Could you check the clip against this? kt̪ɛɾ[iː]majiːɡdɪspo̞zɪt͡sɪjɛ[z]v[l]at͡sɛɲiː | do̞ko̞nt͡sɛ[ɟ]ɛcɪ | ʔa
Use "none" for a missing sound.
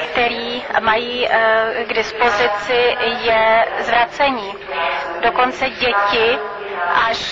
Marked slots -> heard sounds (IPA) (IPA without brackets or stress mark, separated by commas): iː, z, ɾ, ɟ